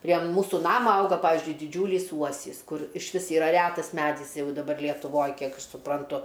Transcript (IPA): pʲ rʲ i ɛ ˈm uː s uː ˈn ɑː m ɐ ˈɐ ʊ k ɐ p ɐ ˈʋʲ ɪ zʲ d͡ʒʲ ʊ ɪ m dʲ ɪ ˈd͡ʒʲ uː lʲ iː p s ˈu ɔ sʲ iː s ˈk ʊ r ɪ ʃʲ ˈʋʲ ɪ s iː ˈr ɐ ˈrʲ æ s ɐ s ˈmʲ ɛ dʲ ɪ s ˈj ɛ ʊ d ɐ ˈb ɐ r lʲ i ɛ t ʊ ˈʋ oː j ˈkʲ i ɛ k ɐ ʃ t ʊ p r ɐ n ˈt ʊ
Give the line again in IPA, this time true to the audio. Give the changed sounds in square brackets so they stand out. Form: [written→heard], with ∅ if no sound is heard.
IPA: pʲ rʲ i ɛ ˈm uː s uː ˈn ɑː m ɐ ˈɐ ʊ [k→ɡ] ɐ p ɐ ˈʋʲ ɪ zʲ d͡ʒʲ ʊ ɪ [m→∅] dʲ ɪ ˈd͡ʒʲ uː lʲ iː [p→∅] s ˈu ɔ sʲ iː s ˈk ʊ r ɪ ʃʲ ˈʋʲ ɪ s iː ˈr ɐ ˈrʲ æ [s→t] ɐ s ˈmʲ [ɛ→æ] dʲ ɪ s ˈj ɛ ʊ d ɐ ˈb ɐ r lʲ i ɛ t ʊ ˈʋ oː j ˈkʲ i ɛ k ɐ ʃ [t→s] ʊ p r ɐ n ˈt ʊ